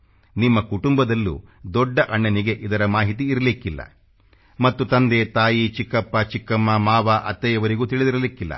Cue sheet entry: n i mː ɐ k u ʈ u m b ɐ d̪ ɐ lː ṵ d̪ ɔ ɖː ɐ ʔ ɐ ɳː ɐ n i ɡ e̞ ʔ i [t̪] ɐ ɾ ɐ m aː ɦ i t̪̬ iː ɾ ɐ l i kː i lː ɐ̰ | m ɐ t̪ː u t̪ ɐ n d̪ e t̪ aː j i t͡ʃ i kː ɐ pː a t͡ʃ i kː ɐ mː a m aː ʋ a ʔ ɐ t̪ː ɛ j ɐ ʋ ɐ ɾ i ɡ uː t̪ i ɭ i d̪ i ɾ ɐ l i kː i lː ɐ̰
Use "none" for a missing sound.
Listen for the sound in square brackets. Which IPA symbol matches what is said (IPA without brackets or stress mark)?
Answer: d̪